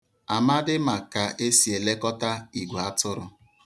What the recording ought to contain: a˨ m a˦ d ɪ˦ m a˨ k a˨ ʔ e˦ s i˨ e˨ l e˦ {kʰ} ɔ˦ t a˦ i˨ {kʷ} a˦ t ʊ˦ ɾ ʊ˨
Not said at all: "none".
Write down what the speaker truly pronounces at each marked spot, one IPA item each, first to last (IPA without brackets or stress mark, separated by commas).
k, ɡʷ